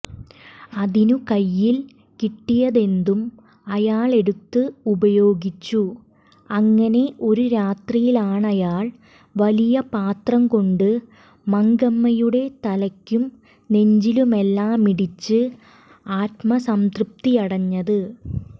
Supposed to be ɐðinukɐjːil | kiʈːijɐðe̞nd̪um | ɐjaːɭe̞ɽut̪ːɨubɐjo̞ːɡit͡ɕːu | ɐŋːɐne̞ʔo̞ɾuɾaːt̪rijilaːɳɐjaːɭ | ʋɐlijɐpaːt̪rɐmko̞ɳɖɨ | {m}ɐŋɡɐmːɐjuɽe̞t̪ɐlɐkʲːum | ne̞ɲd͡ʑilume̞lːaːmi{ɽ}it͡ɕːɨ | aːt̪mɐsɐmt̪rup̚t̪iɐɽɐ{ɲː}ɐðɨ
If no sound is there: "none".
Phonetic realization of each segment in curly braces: m, ɽ, ɲː

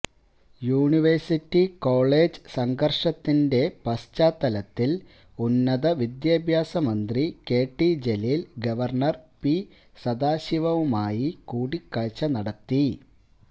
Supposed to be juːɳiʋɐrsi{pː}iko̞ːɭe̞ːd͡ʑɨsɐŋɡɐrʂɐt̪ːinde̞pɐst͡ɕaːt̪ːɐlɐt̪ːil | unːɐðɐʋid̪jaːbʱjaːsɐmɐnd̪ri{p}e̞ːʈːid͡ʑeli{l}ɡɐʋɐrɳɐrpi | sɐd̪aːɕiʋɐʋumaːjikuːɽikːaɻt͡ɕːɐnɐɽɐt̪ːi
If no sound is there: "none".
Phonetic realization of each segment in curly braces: tː, k, l

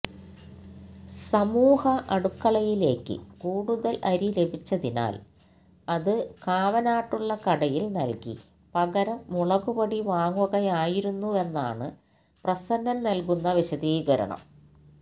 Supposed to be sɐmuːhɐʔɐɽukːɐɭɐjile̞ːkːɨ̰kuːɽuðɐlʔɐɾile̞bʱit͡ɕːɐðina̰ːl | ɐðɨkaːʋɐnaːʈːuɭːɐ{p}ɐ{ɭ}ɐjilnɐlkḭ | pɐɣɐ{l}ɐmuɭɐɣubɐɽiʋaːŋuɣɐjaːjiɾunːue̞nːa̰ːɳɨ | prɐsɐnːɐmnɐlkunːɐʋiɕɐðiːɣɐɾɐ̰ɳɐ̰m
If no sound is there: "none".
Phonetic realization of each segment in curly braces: k, ɽ, ɾ

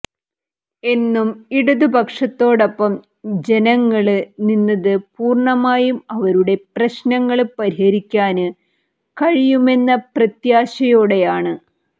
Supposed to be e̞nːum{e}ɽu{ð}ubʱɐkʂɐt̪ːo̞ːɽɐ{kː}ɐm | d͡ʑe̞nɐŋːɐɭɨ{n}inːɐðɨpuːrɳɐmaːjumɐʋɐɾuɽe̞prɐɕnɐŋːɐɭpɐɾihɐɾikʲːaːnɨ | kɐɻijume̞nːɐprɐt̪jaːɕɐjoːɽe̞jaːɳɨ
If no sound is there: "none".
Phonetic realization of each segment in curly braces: i, ð, pː, n

